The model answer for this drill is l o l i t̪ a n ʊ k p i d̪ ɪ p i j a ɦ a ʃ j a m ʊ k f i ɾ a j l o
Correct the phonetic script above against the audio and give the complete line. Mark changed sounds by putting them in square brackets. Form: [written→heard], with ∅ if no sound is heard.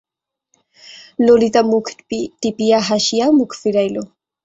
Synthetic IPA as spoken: l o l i t̪ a [n→m] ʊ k p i [d̪→t̪] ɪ p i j a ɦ a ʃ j a m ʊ k f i ɾ a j l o